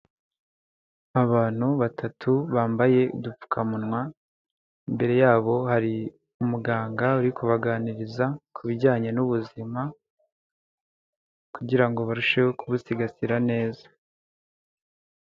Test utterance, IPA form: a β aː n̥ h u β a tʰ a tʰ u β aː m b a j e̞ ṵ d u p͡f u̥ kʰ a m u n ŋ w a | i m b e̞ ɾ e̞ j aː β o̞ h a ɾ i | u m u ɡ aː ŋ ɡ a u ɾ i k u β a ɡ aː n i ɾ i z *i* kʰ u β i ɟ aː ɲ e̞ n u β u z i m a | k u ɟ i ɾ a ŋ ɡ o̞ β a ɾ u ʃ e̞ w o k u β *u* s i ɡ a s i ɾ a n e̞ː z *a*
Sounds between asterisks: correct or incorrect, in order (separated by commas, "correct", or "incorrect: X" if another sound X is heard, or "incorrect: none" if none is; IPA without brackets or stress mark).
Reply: incorrect: a, correct, correct